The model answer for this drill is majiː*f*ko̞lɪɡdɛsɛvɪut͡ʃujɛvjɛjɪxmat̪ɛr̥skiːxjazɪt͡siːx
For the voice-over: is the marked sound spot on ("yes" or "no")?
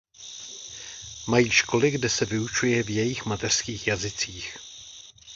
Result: no